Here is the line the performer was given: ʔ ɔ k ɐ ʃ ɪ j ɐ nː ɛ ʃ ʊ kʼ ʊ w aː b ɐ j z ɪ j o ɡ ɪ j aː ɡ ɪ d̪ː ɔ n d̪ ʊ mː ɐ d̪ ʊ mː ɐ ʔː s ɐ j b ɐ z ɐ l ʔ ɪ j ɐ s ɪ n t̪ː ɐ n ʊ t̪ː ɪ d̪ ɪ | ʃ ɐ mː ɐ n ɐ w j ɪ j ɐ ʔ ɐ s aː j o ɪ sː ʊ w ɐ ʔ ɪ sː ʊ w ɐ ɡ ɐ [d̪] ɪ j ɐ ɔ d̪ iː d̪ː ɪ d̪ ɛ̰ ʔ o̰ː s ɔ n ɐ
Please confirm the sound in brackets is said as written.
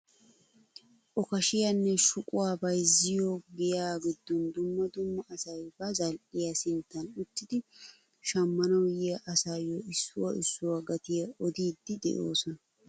no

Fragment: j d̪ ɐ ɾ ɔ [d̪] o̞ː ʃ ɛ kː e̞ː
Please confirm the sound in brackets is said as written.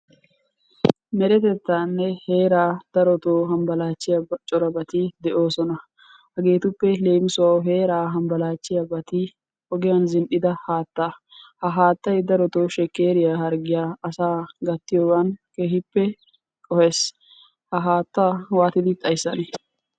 no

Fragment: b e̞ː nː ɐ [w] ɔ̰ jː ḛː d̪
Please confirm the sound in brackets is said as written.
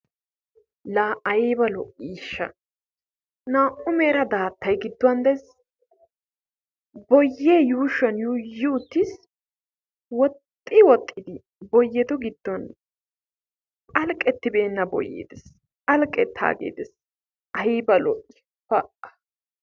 no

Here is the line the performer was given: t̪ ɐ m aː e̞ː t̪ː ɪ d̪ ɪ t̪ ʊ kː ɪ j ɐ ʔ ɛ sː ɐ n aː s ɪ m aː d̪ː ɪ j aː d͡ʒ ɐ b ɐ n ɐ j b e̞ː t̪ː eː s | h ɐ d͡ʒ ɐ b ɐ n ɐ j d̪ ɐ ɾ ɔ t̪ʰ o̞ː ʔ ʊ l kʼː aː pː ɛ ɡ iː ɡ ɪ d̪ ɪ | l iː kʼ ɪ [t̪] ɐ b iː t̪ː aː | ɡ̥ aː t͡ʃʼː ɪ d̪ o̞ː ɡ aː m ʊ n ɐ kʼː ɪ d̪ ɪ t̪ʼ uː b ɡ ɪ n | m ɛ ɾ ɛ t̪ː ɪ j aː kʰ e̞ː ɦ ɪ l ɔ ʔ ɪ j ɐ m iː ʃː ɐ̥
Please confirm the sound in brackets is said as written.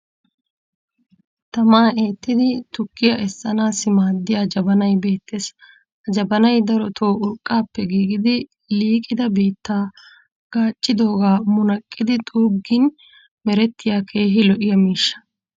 no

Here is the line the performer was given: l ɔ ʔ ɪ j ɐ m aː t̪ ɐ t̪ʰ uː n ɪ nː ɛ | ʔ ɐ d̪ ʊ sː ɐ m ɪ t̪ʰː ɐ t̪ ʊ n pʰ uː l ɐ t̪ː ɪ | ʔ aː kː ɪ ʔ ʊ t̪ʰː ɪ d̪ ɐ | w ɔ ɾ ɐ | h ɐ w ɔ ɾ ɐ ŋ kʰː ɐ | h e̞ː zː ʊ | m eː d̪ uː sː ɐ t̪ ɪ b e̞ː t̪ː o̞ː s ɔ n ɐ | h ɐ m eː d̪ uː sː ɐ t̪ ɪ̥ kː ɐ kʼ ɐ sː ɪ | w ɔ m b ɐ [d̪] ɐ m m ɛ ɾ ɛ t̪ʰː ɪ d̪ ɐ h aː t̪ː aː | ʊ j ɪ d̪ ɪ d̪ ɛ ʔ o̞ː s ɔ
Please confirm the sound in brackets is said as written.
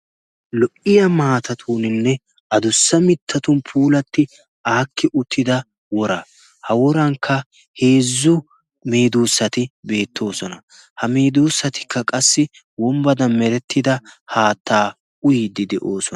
yes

